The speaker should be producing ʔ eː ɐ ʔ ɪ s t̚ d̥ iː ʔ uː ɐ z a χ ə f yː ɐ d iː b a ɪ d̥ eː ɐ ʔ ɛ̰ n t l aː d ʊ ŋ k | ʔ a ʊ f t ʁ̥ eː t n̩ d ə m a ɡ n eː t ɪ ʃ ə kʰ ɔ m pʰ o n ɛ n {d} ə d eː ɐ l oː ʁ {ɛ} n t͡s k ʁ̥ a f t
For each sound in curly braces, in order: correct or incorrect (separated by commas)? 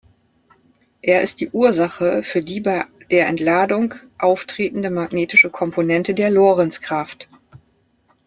incorrect, correct